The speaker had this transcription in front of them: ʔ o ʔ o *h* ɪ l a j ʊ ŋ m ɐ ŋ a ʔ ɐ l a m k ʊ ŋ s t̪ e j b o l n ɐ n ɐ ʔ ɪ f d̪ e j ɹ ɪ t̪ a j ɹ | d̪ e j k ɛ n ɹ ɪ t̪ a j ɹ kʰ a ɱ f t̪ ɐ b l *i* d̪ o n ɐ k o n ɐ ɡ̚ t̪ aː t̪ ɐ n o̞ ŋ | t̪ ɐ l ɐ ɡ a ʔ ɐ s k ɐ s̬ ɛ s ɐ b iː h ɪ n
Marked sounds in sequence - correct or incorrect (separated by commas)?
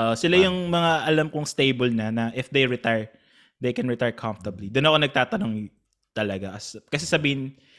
incorrect, correct